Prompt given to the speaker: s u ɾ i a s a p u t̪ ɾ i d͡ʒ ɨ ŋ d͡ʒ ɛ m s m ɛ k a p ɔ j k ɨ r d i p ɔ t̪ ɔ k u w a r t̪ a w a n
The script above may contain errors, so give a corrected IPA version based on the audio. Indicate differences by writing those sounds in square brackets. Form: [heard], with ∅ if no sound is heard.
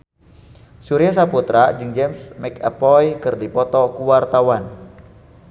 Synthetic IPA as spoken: s u ɾ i a s a p u t̪ ɾ [a] d͡ʒ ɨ ŋ d͡ʒ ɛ m s m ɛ k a p ɔ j k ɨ r d i p ɔ t̪ ɔ k u w a r t̪ a w a n